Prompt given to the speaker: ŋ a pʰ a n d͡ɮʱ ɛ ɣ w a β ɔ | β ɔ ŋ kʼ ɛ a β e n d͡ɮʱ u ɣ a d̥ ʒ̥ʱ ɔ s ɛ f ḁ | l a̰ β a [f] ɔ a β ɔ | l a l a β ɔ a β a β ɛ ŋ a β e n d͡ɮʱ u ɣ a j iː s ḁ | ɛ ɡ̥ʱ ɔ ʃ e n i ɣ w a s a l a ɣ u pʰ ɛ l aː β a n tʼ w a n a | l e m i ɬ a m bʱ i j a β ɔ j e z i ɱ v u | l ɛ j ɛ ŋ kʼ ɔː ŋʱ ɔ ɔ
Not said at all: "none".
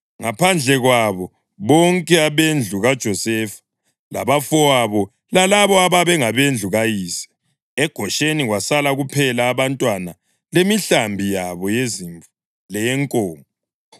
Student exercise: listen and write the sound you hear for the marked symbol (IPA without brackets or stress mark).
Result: f